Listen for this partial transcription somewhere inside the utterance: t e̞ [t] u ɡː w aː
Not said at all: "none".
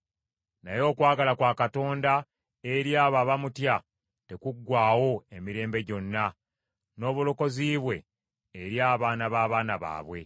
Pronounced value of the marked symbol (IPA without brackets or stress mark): k